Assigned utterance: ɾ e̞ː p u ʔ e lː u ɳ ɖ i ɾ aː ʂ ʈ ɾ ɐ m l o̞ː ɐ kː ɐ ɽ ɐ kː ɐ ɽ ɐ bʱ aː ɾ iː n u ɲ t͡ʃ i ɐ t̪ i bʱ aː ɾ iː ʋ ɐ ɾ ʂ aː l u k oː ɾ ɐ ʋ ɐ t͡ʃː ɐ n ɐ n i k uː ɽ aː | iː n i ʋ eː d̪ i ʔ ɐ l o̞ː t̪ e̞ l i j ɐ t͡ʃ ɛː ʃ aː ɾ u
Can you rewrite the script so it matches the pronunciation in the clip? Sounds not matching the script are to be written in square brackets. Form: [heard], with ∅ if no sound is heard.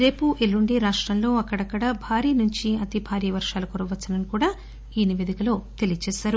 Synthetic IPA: ɾ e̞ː p u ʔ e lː u ɳ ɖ i ɾ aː ʂ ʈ ɾ ɐ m l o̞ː ɐ kː ɐ ɽ ɐ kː ɐ ɽ ɐ bʱ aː ɾ iː n u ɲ t͡ʃ i ɐ t̪ i bʱ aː ɾ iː ʋ ɐ ɾ ʂ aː l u k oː ɾ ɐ ʋ ɐ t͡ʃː ɐ n ɐ n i k uː ɽ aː | iː n i ʋ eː d̪ i [k] ɐ l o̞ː t̪ e̞ l i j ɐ t͡ʃ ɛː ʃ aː ɾ u